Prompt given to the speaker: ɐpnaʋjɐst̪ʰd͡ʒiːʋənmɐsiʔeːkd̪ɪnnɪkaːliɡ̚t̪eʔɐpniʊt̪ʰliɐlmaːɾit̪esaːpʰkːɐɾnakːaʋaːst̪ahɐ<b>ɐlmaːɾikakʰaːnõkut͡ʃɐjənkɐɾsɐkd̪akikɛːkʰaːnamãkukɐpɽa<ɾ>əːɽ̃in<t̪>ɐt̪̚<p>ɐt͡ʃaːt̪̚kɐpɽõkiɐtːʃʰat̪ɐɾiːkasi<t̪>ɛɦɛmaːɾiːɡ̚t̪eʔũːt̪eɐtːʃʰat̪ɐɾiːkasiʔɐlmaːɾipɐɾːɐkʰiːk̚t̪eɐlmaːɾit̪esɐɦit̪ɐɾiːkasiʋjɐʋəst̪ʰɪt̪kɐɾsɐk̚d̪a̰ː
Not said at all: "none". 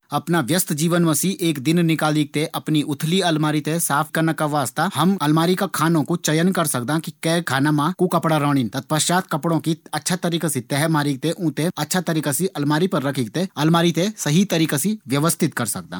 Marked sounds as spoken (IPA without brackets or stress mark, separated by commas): m, ɾ, t̪, p, t̪